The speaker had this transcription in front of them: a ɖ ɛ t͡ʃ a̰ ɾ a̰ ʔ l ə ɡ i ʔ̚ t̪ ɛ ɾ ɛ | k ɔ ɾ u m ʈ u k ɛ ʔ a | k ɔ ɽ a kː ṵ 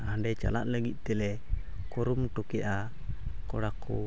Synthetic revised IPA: a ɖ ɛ t͡ʃ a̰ l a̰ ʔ l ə ɡ i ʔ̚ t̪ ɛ l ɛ | k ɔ ɾ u m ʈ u k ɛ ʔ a | k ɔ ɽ a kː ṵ